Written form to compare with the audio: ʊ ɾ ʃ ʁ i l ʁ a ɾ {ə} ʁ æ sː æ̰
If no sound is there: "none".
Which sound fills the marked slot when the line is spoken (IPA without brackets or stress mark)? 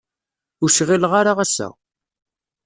a